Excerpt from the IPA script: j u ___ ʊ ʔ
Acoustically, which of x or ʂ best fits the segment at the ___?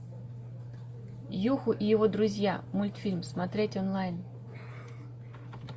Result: x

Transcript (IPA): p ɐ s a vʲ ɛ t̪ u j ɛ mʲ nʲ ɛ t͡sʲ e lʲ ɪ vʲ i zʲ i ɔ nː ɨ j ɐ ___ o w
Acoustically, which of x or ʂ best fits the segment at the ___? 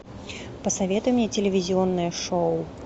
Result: ʂ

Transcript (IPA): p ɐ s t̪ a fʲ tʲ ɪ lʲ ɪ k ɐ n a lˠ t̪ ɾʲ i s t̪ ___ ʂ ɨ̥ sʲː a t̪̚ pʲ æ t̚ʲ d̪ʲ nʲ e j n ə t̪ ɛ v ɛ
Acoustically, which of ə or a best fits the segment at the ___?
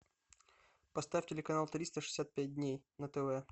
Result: ə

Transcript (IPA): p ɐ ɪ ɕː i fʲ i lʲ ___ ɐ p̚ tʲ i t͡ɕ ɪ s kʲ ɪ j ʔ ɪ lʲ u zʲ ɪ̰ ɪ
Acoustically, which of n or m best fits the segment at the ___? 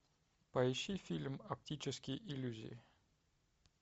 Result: m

